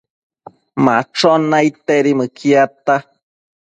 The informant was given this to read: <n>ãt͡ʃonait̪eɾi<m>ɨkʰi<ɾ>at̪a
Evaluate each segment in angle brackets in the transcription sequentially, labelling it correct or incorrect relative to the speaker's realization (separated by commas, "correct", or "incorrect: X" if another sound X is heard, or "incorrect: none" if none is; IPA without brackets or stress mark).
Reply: incorrect: m, correct, incorrect: none